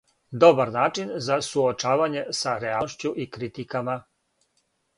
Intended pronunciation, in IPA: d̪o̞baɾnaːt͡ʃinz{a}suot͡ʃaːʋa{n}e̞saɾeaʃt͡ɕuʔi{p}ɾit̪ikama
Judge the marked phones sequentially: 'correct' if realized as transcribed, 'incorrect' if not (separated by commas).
correct, incorrect, incorrect